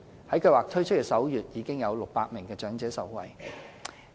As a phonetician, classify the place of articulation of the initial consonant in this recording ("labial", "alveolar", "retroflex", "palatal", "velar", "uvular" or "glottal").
glottal